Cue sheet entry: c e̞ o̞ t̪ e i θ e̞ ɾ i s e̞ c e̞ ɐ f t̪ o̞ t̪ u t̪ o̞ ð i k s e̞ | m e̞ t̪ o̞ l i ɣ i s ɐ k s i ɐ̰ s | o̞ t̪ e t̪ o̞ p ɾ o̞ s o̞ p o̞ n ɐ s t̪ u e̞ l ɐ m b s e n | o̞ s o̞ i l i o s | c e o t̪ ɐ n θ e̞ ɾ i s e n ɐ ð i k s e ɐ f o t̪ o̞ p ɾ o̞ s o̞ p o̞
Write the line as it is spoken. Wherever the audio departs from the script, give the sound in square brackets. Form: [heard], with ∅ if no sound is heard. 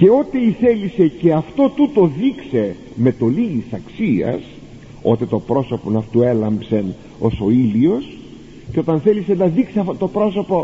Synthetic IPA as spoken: c e̞ o̞ t̪ e i θ e̞ [l] i s e̞ c e̞ ɐ f t̪ o̞ t̪ u t̪ o̞ ð i k s e̞ | m e̞ t̪ o̞ l i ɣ i s ɐ k s i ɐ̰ s | o̞ t̪ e t̪ o̞ p ɾ o̞ s o̞ p o̞ n ɐ [f] t̪ u e̞ l ɐ m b s e n | o̞ s o̞ i l i o s | c e o t̪ ɐ n θ e̞ [l] i s e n ɐ ð i k s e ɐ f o t̪ o̞ p ɾ o̞ s o̞ p o̞